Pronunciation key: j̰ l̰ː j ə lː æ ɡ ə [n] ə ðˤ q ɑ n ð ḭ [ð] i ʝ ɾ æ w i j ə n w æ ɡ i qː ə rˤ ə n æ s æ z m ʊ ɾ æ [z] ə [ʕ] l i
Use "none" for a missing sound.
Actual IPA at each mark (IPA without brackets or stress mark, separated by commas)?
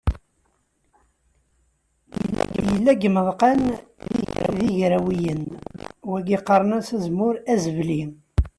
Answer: m, ð, z, v